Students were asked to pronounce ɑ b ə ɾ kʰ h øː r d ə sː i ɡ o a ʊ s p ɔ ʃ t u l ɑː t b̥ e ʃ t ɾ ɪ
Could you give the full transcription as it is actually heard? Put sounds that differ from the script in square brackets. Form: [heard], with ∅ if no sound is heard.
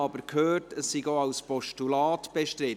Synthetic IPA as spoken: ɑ b ə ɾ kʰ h øː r [t] ə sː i ɡ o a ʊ s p ɔ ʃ t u l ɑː t b̥ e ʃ t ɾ ɪ